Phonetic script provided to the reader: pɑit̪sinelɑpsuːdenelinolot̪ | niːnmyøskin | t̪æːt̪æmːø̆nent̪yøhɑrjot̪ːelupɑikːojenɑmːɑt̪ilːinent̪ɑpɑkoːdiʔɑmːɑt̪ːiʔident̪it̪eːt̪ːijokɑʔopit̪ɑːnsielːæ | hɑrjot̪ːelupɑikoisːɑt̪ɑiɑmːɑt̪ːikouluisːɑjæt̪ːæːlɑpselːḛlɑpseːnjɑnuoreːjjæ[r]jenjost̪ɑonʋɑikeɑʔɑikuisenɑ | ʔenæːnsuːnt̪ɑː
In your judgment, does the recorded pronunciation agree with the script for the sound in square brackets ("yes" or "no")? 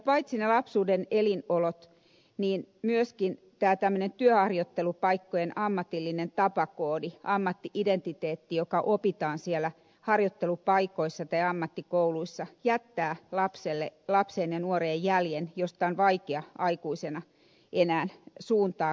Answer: no